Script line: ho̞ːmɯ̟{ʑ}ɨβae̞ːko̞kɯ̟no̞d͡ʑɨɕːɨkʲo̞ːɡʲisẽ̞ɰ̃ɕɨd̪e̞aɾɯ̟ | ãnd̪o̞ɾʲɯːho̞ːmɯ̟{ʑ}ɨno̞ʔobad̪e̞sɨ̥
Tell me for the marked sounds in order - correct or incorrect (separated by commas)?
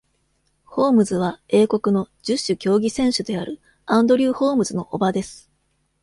incorrect, incorrect